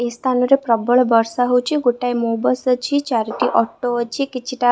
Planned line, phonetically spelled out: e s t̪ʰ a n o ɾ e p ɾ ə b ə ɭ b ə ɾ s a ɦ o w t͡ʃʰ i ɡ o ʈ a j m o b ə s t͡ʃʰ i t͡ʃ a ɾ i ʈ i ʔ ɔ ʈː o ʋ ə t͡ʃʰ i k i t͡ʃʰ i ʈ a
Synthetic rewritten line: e s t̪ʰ a n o ɾ e p ɾ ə b ə ɭ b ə ɾ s a ɦ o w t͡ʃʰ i ɡ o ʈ a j m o b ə s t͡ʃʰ i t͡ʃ a ɾ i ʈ i ʔ ɔ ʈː o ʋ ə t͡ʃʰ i k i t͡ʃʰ i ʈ a